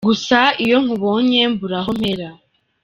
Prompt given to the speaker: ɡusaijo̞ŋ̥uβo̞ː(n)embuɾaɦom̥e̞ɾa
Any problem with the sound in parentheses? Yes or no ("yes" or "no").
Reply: yes